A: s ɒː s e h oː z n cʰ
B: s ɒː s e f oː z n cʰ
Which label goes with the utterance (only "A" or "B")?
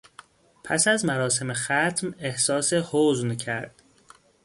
A